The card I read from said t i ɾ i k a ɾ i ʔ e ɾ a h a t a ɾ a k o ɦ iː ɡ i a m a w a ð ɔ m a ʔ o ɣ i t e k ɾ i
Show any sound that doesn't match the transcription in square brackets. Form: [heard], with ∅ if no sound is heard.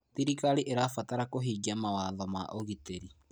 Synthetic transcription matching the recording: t i ɾ i k a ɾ i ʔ e ɾ a [f] a t a ɾ a k o ɦ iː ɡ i a m a w a ð ɔ m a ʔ o ɣ i t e [∅] ɾ i